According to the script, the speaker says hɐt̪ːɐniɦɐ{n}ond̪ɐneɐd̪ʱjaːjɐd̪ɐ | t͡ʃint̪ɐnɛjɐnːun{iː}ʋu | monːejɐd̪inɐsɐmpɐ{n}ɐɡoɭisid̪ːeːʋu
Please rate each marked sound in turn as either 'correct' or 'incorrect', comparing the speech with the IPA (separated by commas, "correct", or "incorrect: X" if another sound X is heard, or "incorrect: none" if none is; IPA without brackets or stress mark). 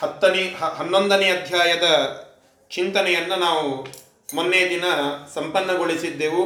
incorrect: nː, incorrect: aː, incorrect: nː